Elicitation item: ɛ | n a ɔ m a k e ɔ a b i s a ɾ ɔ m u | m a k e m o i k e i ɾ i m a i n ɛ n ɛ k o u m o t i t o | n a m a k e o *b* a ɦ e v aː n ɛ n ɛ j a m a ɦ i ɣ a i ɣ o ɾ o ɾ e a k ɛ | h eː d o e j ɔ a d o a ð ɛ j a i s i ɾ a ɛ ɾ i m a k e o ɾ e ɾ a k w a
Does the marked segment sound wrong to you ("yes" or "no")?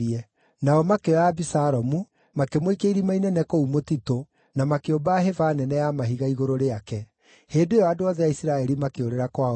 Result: no